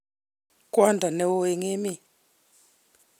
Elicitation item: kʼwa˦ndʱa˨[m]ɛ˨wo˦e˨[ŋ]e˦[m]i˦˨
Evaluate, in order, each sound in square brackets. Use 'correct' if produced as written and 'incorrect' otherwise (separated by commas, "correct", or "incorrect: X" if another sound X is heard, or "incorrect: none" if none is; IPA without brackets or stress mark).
incorrect: n, correct, correct